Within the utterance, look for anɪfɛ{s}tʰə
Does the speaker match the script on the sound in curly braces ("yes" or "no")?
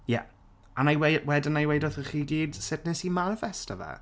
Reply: yes